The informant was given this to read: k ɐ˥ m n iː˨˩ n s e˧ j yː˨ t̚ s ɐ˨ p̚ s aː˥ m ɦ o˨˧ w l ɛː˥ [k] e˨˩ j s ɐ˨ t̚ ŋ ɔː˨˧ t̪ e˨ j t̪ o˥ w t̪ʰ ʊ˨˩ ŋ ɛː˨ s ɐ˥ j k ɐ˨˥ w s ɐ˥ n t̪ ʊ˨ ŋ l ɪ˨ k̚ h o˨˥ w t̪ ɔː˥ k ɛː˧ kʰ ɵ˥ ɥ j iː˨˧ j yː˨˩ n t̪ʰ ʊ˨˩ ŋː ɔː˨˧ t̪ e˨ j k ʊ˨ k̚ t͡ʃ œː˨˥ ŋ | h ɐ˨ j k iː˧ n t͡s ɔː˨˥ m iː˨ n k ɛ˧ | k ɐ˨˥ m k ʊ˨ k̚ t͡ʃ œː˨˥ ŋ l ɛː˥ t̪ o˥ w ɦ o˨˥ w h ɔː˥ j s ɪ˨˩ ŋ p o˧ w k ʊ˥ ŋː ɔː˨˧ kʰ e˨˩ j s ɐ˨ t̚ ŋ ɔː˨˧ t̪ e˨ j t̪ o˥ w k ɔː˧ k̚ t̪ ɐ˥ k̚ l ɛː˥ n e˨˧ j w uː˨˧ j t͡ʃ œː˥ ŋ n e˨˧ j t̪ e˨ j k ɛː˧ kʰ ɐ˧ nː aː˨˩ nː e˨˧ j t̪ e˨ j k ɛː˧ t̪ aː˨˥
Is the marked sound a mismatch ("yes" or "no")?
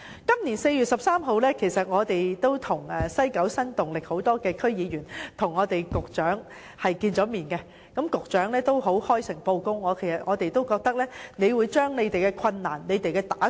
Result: yes